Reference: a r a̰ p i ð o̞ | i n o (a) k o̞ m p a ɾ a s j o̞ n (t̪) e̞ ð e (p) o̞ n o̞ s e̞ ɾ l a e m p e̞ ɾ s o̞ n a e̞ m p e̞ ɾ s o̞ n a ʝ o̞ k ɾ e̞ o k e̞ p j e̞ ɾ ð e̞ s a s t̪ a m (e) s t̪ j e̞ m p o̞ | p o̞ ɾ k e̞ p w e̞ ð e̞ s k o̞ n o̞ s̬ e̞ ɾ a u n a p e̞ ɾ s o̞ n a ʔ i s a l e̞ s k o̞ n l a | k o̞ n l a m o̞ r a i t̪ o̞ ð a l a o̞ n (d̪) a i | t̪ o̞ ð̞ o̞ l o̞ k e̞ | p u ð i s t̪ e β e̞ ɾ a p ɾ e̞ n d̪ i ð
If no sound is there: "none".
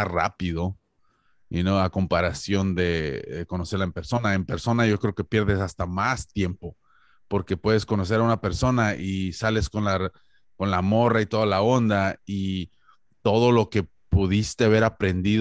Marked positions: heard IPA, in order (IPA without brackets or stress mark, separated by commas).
a, d̪, k, a, d̪